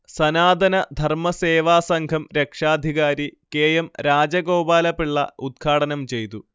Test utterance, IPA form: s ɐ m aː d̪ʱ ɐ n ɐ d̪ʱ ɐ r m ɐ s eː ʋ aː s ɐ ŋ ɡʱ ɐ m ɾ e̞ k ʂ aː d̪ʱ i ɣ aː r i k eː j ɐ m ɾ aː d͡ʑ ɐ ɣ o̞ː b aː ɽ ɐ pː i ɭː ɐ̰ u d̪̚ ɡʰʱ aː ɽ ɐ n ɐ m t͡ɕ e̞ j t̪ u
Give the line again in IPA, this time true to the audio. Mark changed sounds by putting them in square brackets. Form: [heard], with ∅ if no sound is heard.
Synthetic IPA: s ɐ [n] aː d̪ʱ ɐ n ɐ d̪ʱ ɐ r m ɐ s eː ʋ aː s ɐ ŋ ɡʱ ɐ m ɾ e̞ k ʂ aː d̪ʱ i ɣ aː [ɾ] i k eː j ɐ m ɾ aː d͡ʑ ɐ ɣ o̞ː b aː [l] ɐ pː i ɭː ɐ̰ u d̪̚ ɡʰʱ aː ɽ ɐ n ɐ m t͡ɕ e̞ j t̪ u